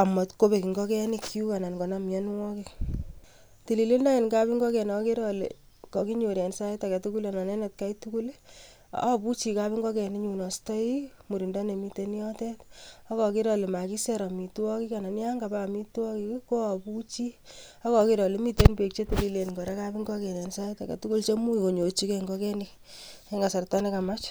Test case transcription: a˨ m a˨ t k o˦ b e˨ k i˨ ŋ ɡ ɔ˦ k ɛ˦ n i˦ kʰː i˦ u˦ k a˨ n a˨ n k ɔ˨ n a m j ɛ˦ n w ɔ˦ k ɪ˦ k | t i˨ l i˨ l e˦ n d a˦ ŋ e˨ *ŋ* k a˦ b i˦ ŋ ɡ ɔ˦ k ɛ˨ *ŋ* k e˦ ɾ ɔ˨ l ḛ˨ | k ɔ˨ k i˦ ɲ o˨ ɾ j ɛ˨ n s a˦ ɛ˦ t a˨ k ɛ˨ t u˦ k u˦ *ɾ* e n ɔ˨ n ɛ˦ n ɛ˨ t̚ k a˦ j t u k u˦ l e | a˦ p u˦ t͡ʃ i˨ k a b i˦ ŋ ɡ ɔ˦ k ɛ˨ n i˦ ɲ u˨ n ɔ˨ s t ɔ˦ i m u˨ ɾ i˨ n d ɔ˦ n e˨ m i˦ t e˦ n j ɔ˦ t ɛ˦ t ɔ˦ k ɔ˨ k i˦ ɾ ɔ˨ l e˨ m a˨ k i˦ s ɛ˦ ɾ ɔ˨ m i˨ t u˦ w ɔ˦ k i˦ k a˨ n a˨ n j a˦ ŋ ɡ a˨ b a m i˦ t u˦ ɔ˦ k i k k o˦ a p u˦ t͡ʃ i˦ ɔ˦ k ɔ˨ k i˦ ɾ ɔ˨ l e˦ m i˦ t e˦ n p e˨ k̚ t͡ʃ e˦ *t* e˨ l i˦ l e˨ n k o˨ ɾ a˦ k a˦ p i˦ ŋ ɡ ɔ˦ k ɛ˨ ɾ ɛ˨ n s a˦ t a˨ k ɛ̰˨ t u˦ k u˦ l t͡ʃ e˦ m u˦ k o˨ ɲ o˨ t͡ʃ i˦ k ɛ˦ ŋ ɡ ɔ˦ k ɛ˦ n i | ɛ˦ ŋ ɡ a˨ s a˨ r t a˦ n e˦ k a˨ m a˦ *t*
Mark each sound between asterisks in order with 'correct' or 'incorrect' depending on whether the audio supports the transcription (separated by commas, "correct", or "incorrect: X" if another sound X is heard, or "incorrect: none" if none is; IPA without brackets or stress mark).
incorrect: n, incorrect: n, incorrect: l, correct, incorrect: t͡ʃ